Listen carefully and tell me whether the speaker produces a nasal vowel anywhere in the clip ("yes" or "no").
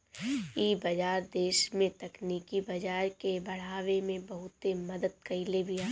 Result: yes